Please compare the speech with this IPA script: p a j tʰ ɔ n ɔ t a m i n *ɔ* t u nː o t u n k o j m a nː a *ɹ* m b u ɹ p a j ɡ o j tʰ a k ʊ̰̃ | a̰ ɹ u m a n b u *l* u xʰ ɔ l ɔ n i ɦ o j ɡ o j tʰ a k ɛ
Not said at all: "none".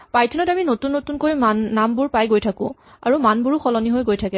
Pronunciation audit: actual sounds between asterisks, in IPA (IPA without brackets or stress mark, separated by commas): o, none, ɹ